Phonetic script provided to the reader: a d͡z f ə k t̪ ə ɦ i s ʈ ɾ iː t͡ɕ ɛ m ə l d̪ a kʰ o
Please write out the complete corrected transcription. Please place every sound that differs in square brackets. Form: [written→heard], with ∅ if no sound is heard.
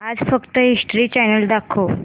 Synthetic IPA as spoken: a d͡z f ə k t̪ ə ɦ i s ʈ ɾ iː t͡ɕ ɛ [m→n] ə l d̪ a kʰ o